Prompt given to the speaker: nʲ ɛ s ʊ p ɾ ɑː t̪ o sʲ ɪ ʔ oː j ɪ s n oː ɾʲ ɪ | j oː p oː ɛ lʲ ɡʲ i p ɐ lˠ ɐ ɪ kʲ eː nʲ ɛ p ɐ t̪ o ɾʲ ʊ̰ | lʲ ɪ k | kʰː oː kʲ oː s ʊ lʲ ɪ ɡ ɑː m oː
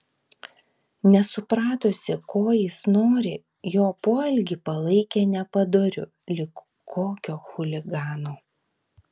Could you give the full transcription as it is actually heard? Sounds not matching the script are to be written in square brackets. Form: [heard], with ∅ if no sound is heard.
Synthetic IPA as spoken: nʲ ɛ s ʊ p ɾ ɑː t̪ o sʲ ɪ [k] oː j ɪ s n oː ɾʲ ɪ | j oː p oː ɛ lʲ ɡʲ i p ɐ lˠ ɐ ɪ kʲ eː nʲ ɛ p ɐ [d̪] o ɾʲ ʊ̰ | lʲ ɪ k | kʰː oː kʲ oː [x] ʊ lʲ ɪ ɡ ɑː [n] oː